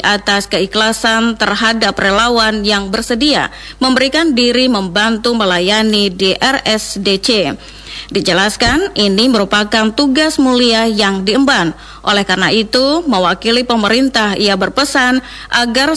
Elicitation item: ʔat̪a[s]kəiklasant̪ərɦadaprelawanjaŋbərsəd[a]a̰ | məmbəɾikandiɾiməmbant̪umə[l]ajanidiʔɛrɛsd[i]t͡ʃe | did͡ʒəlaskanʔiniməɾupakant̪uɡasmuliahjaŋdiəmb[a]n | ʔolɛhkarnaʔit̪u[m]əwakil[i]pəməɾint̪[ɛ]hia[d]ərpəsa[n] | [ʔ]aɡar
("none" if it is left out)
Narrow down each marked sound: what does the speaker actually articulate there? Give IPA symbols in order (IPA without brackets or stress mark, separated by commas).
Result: s, i, l, e, a, m, i, a, b, n, ʔ